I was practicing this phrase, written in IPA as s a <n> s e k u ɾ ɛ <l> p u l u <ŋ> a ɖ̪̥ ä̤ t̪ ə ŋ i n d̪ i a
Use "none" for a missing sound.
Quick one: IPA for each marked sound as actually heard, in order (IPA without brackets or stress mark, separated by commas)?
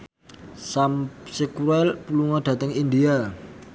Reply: m, l, ŋ